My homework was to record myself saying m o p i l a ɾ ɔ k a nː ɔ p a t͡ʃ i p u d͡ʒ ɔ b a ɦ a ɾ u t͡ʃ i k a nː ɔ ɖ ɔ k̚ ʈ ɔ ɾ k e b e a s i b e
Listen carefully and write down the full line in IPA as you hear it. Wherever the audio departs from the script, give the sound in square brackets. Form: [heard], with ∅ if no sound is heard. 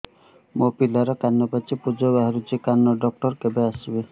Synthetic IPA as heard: m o p i l a ɾ ɔ k a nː ɔ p a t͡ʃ i p u d͡ʒ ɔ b a ɦ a ɾ u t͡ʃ i k a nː ɔ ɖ ɔ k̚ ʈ ɔ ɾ k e b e a s i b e